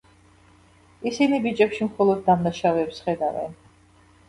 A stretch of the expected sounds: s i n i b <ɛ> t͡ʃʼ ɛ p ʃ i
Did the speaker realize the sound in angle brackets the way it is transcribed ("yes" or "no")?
no